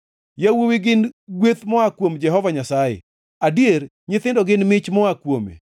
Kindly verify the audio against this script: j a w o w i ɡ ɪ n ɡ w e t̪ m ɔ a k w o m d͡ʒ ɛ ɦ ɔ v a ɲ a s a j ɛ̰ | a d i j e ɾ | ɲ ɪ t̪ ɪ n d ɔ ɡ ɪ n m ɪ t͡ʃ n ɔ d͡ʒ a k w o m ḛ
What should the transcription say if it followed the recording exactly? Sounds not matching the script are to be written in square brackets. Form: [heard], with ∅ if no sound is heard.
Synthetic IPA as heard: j a w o w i ɡ ɪ n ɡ w e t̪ m ɔ a k w o m d͡ʒ ɛ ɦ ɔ v a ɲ a s a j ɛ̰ | a d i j e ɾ | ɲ ɪ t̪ ɪ n d ɔ ɡ ɪ n m ɪ t͡ʃ [m] ɔ [∅] a k w o m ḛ